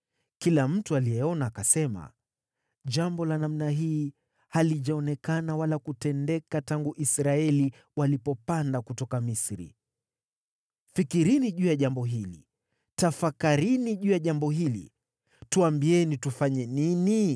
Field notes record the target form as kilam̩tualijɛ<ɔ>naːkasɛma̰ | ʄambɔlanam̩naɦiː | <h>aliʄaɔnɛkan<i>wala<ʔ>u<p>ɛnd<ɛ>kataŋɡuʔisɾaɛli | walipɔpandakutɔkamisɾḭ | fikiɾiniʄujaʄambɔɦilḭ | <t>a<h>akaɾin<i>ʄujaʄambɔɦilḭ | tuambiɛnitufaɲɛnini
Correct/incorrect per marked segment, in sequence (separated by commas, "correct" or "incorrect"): correct, correct, incorrect, incorrect, incorrect, correct, correct, incorrect, correct